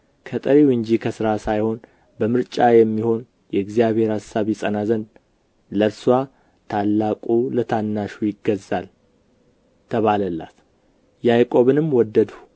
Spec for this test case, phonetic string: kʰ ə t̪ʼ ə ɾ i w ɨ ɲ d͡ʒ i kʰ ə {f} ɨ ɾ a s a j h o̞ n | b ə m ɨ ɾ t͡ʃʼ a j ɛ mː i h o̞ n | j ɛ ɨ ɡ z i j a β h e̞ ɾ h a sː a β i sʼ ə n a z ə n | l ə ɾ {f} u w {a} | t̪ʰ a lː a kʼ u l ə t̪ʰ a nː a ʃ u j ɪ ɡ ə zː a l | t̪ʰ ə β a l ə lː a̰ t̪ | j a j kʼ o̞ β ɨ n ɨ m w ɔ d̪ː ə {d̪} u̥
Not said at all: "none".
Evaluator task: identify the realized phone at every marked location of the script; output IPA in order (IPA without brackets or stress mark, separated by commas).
s, s, a, d̪